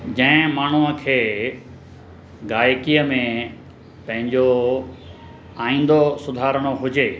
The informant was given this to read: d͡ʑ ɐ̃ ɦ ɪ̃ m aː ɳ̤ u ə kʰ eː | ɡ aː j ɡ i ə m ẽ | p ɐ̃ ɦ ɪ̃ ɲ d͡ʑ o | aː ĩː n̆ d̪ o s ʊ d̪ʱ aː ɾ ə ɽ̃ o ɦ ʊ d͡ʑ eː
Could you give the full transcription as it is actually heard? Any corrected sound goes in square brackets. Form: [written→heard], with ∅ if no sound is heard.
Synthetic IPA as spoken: d͡ʑ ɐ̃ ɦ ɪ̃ m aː ɳ̤ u ə kʰ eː | ɡ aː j [ɡ→k] i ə m ẽ | p ɐ̃ ɦ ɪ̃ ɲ d͡ʑ o | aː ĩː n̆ d̪ o s ʊ d̪ʱ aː ɾ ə ɽ̃ o ɦ ʊ d͡ʑ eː